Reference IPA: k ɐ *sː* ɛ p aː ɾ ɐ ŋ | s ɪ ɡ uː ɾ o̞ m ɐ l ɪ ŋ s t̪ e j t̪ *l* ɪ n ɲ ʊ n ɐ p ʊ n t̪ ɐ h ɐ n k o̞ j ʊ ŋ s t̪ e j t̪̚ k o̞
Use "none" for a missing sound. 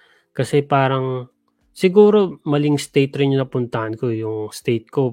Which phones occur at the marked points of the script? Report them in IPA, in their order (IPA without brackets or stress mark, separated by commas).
s, ɾ